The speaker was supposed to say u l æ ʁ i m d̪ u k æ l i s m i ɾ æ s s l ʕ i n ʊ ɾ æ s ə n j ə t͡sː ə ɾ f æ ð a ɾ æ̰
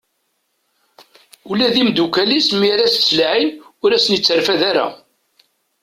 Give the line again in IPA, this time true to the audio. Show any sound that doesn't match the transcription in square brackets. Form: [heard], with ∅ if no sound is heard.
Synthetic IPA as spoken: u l æ [ð] i m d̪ u k æ l i s m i ɾ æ s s l ʕ i n ʊ ɾ æ s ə n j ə t͡sː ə ɾ f æ ð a ɾ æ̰